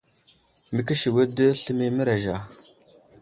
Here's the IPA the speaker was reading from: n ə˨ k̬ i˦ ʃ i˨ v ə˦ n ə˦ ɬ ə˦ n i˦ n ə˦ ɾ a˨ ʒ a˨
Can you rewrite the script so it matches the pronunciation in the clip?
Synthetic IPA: m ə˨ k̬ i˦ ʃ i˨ w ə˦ d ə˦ ɬ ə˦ m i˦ m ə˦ ɾ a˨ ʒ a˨

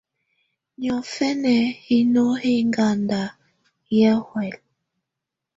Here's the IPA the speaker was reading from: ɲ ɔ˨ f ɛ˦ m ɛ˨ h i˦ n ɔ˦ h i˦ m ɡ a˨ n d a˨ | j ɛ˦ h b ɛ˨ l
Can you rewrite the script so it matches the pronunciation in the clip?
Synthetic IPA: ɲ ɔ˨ f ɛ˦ n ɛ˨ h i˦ n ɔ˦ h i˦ ŋ ɡ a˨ n d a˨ | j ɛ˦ h w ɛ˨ l

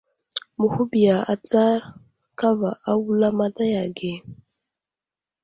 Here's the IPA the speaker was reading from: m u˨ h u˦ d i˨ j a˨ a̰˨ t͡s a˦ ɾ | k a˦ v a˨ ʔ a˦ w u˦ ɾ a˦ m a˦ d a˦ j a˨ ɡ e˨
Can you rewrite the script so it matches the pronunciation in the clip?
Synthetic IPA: m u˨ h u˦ b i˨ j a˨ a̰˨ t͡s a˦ ɾ | k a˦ v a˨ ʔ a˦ w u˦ l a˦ m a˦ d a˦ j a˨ ɡ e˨

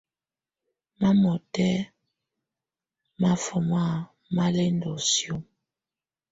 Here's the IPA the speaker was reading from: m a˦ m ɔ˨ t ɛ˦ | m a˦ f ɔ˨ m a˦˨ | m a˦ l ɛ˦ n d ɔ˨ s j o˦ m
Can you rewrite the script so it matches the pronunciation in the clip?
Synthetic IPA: m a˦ m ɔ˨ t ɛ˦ | m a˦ f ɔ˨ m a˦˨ | m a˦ l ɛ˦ n d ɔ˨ s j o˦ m

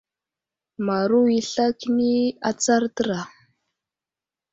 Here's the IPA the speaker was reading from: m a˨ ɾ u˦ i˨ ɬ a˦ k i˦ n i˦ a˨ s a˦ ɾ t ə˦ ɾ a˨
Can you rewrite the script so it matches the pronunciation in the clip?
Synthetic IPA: m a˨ ɾ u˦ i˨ ɬ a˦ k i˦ n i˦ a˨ t͡s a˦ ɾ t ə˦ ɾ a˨

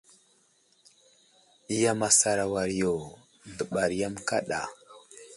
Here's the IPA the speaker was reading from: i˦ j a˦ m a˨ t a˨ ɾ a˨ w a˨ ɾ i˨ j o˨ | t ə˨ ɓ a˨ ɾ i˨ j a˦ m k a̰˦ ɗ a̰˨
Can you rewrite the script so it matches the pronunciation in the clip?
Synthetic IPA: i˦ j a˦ m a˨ s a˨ ɾ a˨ w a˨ ɾ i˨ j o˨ | d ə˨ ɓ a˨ ɾ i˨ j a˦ m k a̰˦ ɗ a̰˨

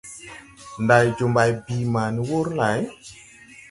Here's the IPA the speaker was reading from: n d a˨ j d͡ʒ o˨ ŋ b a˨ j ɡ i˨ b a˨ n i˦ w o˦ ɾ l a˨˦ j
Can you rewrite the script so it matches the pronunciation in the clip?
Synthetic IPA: n d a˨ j d͡ʒ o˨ m b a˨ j b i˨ m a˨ n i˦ w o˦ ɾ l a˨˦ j

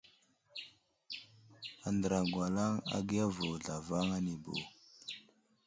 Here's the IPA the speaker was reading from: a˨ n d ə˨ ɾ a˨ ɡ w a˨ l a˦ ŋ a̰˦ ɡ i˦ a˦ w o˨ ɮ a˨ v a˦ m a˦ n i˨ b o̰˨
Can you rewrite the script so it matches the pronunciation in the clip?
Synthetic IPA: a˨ n d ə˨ ɾ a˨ ɡ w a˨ l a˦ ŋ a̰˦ ɡ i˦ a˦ v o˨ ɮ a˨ v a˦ ŋ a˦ n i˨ b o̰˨

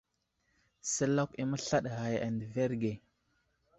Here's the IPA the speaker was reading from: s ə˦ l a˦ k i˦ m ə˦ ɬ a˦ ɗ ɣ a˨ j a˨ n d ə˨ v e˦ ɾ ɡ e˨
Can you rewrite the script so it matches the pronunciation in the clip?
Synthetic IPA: s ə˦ l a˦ k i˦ m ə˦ ɬ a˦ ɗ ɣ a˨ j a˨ n d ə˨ v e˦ ɾ ɡ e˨

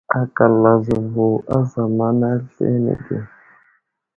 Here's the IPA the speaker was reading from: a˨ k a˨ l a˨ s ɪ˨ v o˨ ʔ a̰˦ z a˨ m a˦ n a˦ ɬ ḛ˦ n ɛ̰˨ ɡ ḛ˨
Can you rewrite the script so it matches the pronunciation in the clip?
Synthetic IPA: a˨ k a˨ l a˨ z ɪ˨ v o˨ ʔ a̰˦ z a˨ m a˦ n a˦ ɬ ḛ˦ n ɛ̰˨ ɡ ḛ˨

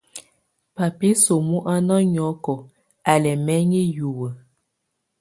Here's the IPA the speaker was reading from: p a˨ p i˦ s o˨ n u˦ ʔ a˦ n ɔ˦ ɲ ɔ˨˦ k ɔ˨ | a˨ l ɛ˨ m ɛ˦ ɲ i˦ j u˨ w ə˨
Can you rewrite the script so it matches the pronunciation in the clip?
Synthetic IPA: p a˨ p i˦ s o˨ m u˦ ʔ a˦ n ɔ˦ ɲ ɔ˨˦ k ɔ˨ | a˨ l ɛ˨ m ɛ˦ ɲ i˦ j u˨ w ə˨

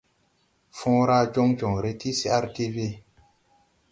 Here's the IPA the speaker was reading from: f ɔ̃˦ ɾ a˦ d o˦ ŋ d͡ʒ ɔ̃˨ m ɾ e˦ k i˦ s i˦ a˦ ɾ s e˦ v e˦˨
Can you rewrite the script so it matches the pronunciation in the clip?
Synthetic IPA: f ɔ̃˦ ɾ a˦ d͡ʒ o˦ ŋ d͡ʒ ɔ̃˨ ŋ ɾ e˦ t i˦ s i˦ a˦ ɾ t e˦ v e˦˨

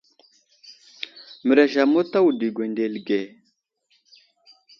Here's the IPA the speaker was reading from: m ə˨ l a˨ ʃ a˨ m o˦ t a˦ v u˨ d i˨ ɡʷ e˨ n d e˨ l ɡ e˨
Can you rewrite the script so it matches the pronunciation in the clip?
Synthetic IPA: m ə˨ ɾ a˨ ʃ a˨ m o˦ t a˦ w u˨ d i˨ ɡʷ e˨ n d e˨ l ɡ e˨

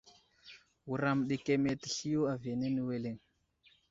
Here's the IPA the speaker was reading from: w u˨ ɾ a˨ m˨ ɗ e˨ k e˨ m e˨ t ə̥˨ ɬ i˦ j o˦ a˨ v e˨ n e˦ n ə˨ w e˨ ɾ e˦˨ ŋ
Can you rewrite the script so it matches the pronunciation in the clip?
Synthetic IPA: w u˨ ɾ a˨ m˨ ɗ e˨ k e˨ m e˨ t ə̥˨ ɬ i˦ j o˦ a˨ v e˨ n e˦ n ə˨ w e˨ l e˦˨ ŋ

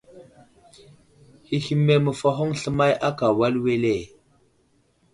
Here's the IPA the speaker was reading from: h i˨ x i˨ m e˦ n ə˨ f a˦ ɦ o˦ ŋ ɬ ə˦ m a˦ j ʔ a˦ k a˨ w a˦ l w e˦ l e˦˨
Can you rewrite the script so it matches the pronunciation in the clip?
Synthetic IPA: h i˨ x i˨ m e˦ m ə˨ f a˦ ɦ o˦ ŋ ɬ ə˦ m a˦ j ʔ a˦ k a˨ w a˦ l w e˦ l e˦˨

